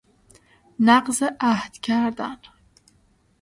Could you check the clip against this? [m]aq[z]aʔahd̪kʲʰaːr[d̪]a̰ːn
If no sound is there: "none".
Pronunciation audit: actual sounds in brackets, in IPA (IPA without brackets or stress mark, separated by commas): n, z, d̪